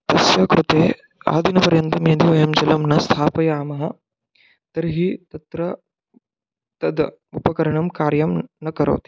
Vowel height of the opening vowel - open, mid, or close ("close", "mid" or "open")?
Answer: open